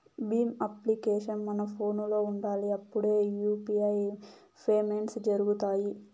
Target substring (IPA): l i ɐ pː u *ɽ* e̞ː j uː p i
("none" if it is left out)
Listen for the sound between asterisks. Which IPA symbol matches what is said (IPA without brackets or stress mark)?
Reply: ɽ